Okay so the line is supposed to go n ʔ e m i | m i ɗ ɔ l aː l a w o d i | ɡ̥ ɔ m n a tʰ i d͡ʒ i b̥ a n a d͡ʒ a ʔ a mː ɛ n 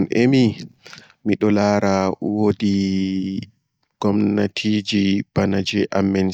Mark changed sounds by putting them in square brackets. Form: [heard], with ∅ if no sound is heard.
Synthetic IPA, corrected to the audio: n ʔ e m i | m i ɗ ɔ l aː [ɾ] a w o d i | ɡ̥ ɔ m n a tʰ i d͡ʒ i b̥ a n a d͡ʒ [ɛ] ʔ a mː ɛ n